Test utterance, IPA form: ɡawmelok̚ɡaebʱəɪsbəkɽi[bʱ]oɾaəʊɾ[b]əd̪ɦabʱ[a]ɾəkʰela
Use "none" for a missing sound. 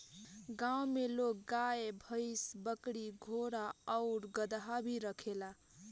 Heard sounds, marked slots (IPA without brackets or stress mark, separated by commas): ɡʱ, ɡ, i